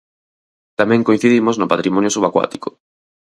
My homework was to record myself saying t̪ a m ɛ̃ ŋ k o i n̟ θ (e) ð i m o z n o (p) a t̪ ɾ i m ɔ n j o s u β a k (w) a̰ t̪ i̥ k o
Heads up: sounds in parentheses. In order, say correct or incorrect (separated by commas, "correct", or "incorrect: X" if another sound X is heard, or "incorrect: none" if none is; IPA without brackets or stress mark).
incorrect: i, correct, correct